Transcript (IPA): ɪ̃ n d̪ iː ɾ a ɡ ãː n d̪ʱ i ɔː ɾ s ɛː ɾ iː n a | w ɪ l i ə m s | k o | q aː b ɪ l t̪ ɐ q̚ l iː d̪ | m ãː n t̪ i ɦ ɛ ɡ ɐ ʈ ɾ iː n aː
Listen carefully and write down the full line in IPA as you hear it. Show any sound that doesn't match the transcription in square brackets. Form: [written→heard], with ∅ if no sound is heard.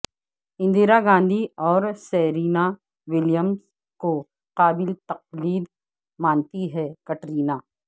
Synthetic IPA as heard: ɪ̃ n d̪ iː ɾ a ɡ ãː n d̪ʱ i ɔː ɾ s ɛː ɾ iː n a | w ɪ l [i→j] ə m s | k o | q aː b ɪ l t̪ ɐ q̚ l iː d̪ | m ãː n t̪ i ɦ ɛ [ɡ→k] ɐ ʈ ɾ iː n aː